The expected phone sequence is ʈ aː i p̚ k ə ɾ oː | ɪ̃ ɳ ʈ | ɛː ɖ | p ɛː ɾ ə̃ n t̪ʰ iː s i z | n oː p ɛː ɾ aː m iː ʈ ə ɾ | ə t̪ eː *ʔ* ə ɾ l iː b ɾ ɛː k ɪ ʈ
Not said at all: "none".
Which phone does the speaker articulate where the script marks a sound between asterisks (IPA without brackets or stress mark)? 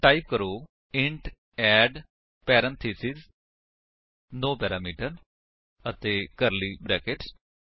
k